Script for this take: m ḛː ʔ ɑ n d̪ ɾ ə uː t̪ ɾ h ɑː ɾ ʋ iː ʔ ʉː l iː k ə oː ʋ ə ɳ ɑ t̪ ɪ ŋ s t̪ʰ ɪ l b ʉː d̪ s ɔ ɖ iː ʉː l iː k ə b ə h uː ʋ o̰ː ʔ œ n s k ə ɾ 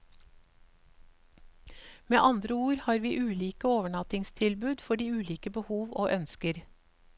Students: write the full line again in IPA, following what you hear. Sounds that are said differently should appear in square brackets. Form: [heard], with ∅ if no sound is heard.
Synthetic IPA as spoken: m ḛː ʔ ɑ n d̪ ɾ ə uː [∅] ɾ h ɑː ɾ ʋ iː ʔ ʉː l iː k ə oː ʋ ə ɳ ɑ t̪ ɪ ŋ s t̪ʰ ɪ l b ʉː d̪ [f] ɔ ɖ iː ʉː l iː k ə b ə h uː ʋ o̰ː ʔ œ n s k ə ɾ